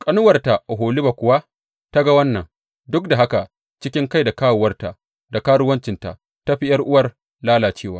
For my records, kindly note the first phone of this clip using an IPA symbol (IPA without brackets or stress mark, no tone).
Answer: kʼ